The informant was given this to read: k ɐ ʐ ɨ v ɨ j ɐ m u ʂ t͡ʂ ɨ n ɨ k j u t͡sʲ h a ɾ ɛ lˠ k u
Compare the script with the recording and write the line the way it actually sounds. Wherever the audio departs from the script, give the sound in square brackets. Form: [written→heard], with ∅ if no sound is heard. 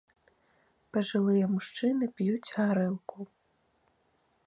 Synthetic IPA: [k→p] ɐ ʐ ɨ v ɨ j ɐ m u ʂ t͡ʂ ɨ n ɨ [k→p] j u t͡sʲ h a ɾ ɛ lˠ k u